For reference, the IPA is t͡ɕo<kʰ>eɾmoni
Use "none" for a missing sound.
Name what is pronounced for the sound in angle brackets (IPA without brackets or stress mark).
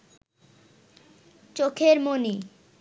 kʰ